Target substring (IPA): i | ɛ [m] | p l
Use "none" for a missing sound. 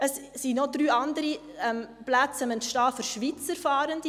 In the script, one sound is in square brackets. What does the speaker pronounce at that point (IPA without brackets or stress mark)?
m